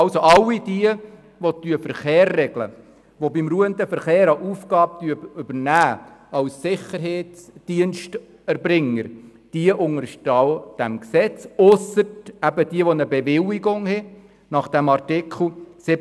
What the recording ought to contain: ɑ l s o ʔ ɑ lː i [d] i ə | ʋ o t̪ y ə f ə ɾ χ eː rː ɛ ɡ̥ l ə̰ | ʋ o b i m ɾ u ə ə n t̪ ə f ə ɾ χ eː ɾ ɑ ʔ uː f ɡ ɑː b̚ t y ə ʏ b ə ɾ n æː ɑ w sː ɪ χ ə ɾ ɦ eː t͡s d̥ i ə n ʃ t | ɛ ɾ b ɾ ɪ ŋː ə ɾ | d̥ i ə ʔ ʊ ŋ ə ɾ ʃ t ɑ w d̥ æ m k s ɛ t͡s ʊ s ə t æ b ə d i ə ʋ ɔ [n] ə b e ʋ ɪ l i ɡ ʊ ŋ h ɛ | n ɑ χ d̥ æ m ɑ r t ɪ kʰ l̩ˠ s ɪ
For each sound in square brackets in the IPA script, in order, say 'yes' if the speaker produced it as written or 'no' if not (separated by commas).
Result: yes, yes